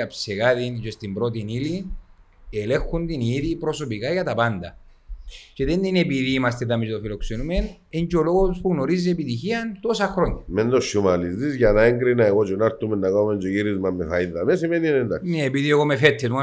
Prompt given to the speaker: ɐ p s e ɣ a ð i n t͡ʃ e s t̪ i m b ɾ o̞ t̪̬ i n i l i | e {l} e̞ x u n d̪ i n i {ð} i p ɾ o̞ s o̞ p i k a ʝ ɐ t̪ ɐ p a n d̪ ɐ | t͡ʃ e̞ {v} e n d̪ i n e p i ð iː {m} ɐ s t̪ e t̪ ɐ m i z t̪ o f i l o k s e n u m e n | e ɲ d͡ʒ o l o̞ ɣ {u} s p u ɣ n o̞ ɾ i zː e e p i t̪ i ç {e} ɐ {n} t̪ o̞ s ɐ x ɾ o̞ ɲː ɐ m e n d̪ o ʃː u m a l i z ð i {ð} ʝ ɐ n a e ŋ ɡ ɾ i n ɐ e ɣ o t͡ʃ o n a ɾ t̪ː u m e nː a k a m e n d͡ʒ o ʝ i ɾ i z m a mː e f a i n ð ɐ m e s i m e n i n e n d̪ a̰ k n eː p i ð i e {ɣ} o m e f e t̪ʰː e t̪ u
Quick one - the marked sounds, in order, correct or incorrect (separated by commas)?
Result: correct, correct, incorrect, correct, incorrect, incorrect, correct, incorrect, correct